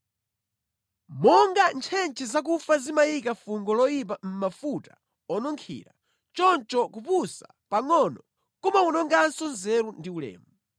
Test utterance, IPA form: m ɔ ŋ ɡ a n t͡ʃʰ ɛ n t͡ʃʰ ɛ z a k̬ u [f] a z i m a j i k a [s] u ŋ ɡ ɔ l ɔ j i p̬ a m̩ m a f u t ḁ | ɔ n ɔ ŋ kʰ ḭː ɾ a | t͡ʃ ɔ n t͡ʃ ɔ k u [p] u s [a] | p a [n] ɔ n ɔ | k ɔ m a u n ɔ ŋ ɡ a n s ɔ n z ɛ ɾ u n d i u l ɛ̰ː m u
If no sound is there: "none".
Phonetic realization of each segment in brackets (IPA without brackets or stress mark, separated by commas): f, f, p, a, ŋ